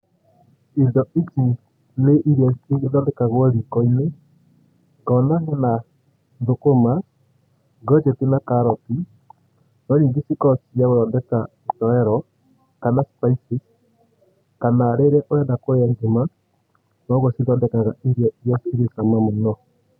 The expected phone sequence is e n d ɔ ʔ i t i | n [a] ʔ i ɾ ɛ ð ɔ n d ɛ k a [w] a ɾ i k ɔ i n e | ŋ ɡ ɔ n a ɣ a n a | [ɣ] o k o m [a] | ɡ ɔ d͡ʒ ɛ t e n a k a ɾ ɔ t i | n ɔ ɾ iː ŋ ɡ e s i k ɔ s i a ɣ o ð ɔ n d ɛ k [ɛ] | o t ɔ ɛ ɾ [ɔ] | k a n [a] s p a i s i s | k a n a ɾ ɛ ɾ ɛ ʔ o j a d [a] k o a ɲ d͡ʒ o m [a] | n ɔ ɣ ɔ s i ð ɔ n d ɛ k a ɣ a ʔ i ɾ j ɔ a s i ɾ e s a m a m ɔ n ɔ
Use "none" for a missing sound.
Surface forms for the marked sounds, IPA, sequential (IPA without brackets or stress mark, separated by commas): e, ɣ, ð, a, a, ɔ, a, a, a